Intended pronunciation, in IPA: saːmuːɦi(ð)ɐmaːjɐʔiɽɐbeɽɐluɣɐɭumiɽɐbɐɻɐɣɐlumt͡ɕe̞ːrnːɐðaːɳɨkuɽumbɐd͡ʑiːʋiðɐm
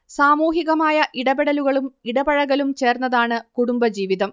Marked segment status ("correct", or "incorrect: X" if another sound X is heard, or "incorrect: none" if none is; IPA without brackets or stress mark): incorrect: ɣ